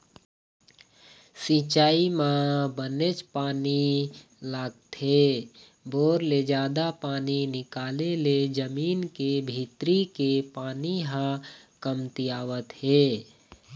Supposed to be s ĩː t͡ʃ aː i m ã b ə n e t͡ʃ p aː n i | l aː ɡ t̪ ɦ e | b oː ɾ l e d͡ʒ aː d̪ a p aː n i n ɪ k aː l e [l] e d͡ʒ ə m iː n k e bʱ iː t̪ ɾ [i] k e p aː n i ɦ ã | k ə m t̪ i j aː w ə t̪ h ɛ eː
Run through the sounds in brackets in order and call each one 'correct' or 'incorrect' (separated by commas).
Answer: correct, correct